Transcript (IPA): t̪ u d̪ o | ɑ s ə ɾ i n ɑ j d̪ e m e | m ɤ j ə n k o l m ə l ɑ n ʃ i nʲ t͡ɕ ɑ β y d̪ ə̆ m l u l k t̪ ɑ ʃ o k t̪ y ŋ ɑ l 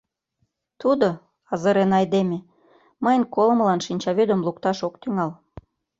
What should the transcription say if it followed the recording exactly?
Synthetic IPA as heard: t̪ u d̪ o | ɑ z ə ɾ e n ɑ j d̪ e m e | m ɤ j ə n k o l m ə l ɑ n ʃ i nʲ t͡ɕ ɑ β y d̪ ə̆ m l u k t̪ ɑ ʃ o k t̪ y ŋ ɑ l

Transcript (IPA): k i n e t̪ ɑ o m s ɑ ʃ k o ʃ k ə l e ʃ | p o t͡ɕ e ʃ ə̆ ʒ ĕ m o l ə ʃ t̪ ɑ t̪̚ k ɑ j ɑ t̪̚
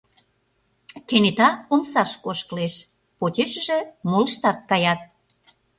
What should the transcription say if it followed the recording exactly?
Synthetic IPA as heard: k e n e t̪ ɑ o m s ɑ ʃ k o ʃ k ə l e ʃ | p o t͡ɕ e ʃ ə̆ ʒ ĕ m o l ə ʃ t̪ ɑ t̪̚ k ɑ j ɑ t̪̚

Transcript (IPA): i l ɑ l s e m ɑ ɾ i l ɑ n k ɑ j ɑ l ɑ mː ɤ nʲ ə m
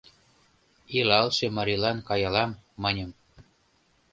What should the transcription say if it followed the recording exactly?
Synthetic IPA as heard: i l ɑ l ʃ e m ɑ ɾ i l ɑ n k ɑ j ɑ l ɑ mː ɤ nʲ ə m

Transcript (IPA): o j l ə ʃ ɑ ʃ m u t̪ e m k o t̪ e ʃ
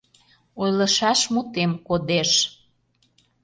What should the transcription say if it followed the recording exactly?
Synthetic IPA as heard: o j l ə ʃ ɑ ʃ m u t̪ e m k o d̪ e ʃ

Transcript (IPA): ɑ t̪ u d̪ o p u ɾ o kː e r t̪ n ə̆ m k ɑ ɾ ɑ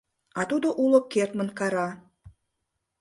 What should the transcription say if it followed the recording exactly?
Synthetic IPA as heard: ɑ t̪ u d̪ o ʔ u l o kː e r t̪ m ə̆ n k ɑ ɾ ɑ

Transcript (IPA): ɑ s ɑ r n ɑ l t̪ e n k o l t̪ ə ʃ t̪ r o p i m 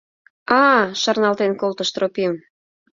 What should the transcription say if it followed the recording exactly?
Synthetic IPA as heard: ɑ ʃ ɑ r n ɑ l t̪ e n k o l t̪ ə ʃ t̪ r o p i m

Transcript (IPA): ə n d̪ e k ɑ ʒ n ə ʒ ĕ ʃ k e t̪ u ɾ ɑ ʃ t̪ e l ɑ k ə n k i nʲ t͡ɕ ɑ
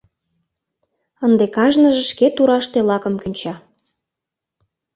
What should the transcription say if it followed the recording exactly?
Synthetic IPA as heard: ə n d̪ e k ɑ ʒ n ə ʒ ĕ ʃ k e t̪ u ɾ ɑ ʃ t̪ e l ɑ k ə m k y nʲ t͡ɕ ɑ

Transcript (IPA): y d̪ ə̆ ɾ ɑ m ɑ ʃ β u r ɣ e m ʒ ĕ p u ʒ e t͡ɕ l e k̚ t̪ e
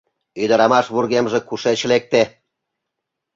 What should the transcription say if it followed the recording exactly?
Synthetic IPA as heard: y d̪ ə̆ ɾ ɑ m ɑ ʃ β u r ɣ e m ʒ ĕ k u ʃ e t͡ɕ l e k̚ t̪ e

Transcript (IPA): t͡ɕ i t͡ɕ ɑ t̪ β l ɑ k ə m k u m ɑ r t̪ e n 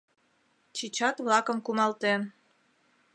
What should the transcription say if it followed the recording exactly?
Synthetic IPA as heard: t͡ɕ i t͡ɕ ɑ t̪ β l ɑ k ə m k u m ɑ l t̪ e n

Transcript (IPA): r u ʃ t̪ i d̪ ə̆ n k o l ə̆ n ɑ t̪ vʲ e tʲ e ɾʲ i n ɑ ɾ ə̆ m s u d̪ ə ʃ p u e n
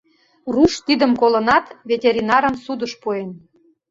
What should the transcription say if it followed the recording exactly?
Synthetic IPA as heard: r u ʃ t̪ i d̪ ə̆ m k o l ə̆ n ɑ t̪ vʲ e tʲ e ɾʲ i n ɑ ɾ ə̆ m s u d̪ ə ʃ p u e n

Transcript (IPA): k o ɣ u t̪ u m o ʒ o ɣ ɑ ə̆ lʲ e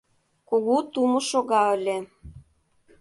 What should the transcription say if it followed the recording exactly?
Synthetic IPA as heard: k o ɣ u t̪ u m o ʃ o ɣ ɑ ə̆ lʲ e

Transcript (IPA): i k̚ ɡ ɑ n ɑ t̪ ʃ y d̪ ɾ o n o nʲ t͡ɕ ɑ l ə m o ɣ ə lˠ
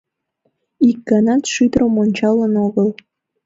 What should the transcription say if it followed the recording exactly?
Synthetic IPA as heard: i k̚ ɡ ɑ n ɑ t̪ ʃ y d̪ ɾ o m o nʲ t͡ɕ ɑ l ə n o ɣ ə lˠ

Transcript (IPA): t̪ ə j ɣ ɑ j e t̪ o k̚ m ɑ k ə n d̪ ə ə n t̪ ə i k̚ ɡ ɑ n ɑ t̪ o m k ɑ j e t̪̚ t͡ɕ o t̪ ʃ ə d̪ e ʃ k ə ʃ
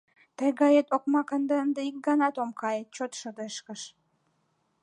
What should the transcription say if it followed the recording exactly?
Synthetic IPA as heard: t̪ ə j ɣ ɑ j e t̪ o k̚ m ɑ k ə n d̪ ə ə n d̪ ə i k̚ ɡ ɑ n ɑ t̪ o m k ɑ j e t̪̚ t͡ɕ o t̪ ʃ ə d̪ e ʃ k ə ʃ

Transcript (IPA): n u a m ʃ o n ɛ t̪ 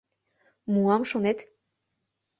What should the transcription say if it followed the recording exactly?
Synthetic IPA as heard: m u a m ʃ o n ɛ t̪

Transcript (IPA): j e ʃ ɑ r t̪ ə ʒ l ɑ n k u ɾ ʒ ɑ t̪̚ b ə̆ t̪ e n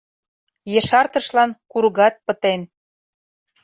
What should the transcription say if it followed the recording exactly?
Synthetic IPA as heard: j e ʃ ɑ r t̪ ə ʃ l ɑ n k u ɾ ɣ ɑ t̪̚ p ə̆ t̪ e n

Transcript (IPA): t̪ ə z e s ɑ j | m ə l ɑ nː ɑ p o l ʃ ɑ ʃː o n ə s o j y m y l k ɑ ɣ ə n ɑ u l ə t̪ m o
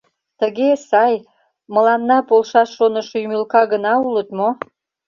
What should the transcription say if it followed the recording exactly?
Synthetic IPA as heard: t̪ ə ɣ e s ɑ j | m ə l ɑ nː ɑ p o l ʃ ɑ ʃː o n ə ʃ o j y m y l k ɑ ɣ ə n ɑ u l ə t̪ m o

